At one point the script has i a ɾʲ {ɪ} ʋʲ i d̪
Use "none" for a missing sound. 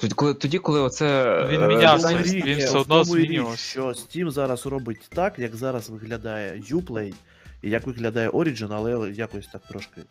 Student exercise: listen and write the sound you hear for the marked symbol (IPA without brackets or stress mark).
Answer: i